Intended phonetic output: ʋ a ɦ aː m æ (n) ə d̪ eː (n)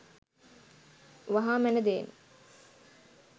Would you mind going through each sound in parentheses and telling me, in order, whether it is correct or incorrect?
correct, correct

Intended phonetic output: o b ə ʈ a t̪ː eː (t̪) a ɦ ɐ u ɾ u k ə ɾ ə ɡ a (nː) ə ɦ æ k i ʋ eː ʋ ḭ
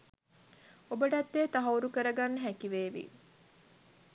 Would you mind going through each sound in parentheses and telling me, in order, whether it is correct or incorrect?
correct, correct

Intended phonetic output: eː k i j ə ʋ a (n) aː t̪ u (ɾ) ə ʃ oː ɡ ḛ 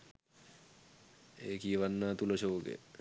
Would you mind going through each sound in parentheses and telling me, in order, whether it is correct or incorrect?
incorrect, incorrect

